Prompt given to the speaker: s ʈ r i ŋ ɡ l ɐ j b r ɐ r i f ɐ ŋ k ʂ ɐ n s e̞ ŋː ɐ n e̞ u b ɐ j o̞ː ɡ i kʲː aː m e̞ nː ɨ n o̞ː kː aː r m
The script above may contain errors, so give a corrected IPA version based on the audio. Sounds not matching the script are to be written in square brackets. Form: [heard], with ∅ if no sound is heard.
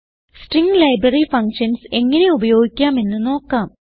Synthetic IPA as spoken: s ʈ r i ŋ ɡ l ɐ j b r ɐ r i f ɐ ŋ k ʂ ɐ n s e̞ ŋː ɐ n e̞ u b ɐ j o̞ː ɡ i kʲː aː m e̞ nː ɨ n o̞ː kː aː [∅] m